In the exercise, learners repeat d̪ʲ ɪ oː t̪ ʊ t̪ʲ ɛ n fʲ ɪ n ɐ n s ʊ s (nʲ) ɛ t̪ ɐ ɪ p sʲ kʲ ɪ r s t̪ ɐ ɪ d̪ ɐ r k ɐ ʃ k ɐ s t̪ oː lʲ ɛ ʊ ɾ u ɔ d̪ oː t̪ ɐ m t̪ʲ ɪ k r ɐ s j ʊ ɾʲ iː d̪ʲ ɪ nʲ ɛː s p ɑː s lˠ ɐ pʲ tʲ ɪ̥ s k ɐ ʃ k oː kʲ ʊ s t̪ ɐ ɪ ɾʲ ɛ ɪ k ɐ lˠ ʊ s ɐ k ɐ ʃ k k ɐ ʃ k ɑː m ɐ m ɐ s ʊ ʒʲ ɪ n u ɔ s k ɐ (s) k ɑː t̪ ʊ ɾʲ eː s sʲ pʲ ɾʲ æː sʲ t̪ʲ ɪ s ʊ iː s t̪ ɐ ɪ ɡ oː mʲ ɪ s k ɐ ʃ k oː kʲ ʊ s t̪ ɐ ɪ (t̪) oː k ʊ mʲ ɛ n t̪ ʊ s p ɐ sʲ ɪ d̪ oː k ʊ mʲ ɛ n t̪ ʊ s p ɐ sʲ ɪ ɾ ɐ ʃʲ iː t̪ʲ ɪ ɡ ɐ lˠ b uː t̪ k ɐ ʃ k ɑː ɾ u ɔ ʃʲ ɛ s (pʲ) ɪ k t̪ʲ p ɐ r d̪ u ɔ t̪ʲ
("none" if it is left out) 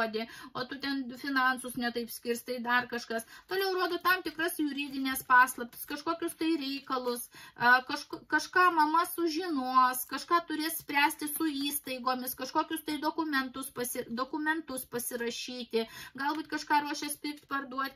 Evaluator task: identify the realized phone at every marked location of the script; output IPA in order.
nʲ, ʃ, d̪, pʲ

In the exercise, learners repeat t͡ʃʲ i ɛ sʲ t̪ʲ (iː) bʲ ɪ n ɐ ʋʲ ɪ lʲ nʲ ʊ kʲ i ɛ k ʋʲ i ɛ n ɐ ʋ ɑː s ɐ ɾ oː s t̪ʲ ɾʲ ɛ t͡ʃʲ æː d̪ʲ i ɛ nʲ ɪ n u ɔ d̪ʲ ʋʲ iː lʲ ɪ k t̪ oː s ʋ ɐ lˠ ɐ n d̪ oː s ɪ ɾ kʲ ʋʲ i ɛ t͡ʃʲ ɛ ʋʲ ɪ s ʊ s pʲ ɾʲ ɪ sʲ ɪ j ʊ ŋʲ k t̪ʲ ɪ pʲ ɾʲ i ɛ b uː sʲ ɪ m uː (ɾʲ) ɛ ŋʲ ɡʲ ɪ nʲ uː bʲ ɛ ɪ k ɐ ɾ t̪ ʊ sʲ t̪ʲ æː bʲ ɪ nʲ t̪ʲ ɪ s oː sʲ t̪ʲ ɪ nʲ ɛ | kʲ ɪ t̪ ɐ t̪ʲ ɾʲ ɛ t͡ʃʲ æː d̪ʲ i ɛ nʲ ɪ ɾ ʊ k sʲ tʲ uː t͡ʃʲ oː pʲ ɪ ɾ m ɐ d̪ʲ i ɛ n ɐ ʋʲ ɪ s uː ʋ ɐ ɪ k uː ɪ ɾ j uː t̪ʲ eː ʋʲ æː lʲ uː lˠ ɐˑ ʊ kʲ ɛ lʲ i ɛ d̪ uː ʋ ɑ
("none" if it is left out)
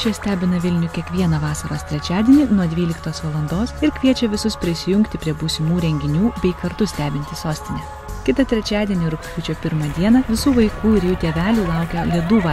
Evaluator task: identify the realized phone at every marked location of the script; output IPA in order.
æː, ɾʲ

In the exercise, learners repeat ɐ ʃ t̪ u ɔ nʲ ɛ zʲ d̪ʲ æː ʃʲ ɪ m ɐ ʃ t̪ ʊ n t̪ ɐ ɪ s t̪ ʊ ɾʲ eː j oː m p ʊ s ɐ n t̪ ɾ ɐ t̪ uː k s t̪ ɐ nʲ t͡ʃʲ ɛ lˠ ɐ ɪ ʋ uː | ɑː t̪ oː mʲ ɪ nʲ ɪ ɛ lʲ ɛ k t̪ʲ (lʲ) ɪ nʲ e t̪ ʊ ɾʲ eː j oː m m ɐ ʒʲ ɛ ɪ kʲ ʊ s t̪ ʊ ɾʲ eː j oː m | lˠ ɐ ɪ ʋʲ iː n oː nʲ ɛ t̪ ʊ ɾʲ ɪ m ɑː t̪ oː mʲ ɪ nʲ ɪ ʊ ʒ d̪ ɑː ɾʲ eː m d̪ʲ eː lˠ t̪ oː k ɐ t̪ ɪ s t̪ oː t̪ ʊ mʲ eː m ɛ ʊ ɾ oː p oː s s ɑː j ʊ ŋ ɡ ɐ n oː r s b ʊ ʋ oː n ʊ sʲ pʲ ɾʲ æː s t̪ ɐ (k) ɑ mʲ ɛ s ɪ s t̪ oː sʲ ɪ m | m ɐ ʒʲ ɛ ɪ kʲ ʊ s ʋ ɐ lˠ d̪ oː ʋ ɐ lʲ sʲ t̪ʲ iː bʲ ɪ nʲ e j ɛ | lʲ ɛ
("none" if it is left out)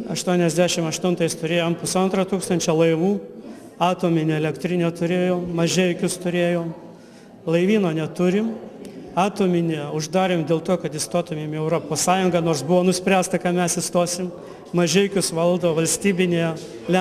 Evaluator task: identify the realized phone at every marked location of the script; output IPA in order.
ɾʲ, k

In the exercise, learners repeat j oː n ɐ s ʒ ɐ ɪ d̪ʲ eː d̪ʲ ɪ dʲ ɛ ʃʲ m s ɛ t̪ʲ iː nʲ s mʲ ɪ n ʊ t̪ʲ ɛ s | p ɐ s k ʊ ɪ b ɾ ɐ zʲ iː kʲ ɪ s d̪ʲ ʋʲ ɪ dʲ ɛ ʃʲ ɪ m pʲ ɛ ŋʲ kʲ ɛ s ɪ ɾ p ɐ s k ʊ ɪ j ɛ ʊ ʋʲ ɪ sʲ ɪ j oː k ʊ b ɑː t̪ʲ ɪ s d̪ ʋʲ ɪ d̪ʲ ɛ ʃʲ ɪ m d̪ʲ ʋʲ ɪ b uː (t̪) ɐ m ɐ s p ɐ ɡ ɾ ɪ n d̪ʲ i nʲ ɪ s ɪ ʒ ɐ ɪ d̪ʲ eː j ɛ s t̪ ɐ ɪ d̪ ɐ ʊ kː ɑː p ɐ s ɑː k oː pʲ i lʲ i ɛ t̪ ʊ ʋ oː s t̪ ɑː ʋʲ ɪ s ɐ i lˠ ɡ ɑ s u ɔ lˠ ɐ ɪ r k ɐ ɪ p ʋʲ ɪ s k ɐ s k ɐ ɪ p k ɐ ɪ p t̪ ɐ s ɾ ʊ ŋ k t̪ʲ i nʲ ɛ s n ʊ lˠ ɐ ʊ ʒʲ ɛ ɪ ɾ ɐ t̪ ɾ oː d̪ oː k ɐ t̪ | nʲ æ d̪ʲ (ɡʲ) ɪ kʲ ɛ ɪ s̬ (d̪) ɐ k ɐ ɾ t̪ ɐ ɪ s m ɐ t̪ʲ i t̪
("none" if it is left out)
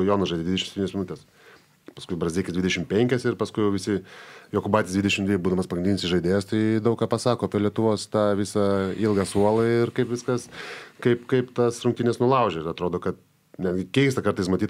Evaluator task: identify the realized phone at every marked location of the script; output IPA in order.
d̪, ɡʲ, t̪

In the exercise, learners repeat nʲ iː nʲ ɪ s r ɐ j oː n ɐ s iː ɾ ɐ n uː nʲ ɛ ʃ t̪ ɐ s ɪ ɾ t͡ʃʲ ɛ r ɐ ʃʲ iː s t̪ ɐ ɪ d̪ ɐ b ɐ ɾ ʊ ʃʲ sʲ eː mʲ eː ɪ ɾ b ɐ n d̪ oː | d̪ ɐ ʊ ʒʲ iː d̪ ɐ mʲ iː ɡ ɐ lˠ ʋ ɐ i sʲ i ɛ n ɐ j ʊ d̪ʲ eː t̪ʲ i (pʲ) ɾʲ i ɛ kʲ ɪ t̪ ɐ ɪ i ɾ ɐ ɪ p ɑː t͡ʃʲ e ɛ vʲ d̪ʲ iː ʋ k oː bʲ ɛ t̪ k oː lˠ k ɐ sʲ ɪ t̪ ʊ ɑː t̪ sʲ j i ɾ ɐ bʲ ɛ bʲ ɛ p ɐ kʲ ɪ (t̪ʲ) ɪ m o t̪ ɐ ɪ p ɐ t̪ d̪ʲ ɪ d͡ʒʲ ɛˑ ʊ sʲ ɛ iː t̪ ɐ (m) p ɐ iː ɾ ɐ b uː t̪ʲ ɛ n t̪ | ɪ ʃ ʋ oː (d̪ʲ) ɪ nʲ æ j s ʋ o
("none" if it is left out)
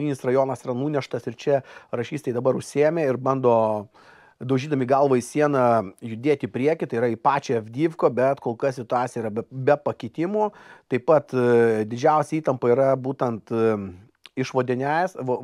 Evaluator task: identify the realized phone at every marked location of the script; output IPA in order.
pʲ, t̪ʲ, m, d̪ʲ

